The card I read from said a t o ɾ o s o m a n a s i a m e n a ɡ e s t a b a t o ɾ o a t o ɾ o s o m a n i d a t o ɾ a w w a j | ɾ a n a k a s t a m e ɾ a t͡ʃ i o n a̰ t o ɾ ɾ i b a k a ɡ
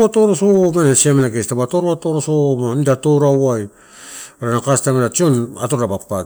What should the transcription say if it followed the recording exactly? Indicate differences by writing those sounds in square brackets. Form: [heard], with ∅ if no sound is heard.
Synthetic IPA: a t o ɾ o s o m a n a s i a m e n a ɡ e s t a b a t o ɾ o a t o ɾ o s o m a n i d a t o ɾ a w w a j | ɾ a n a k a s t a m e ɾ a t͡ʃ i o n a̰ t o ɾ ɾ [a] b a [p] a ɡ

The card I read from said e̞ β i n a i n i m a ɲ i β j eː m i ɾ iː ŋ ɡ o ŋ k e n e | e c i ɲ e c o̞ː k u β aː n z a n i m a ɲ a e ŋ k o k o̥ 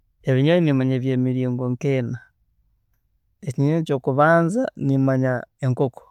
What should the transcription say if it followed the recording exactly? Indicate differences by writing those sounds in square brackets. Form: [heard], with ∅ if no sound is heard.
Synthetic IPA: e̞ β i [ɲ] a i n i m a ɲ [e] β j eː m i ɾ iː ŋ ɡ o ŋ k e n [a] | e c i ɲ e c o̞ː k u β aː n z a n i m a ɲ a e ŋ k o k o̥

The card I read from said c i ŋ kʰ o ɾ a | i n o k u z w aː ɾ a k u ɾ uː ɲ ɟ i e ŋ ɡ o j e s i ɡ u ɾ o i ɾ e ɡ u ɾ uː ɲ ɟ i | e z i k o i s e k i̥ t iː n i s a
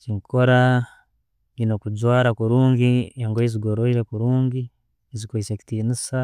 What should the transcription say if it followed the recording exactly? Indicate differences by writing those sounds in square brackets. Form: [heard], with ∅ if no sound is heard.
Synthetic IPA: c i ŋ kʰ o ɾ a | i n o k u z w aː ɾ a k u ɾ uː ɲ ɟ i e ŋ ɡ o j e [z] i ɡ [o] ɾ o i ɾ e [k] u ɾ uː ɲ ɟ i | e z i k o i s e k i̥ t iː n i s a

